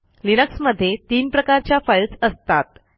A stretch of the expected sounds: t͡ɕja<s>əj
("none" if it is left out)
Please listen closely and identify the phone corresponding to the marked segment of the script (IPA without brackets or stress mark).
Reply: f